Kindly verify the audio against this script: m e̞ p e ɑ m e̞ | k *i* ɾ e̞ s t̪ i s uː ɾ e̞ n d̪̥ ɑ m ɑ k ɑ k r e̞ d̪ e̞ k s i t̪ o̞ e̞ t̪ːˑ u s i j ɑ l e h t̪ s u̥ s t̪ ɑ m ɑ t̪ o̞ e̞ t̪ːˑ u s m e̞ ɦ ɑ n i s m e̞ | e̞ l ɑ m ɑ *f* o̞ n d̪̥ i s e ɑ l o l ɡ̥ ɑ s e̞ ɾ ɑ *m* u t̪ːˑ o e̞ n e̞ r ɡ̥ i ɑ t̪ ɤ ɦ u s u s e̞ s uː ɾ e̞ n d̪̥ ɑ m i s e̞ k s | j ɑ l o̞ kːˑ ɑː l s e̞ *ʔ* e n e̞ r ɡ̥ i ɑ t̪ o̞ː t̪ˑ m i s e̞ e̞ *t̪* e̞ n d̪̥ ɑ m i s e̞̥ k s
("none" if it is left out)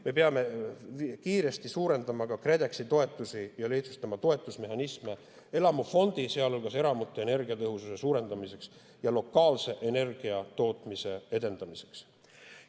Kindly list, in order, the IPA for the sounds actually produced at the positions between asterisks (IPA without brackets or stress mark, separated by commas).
iː, f, m, ʔ, d̪